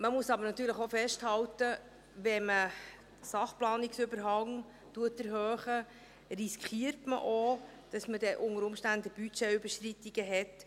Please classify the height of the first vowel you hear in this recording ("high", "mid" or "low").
mid